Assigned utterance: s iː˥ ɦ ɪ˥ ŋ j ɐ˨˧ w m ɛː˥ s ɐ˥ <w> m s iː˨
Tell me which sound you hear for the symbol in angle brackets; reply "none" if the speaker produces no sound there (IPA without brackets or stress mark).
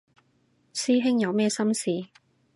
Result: none